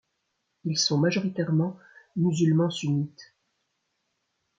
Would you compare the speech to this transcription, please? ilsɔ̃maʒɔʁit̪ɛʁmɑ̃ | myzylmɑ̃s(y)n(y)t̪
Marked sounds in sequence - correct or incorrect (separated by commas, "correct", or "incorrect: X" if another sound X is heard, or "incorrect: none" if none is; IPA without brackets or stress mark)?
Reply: correct, incorrect: i